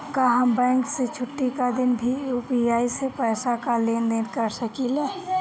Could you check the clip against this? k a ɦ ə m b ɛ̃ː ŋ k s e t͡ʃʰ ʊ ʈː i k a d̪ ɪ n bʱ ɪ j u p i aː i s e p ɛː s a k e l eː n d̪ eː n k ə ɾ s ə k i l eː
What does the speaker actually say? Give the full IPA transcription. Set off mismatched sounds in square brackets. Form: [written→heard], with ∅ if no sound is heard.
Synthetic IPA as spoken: k a ɦ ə m b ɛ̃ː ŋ k s e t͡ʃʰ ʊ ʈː i k a d̪ ɪ n bʱ [ɪ→i] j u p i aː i s e p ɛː s a k [e→a] l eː n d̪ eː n k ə ɾ s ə k i l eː